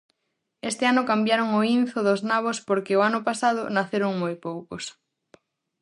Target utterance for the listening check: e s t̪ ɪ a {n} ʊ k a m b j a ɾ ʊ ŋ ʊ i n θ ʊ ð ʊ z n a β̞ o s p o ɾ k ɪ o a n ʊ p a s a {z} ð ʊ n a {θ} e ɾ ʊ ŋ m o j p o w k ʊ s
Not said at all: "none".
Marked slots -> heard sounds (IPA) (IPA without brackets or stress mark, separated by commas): n, none, θ